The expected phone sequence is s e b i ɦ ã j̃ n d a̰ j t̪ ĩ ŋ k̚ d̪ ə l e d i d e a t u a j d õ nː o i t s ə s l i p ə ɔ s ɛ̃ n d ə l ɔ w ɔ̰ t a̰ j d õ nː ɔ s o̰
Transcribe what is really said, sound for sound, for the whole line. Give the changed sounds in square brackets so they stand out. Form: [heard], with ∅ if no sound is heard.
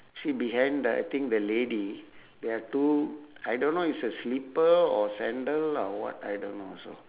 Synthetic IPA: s [i] b i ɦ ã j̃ n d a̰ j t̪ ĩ ŋ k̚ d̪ ə l e d i d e a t u a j d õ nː o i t s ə s l i p ə ɔ s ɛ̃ n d ə l ɔ w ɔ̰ t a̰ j d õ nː [o] s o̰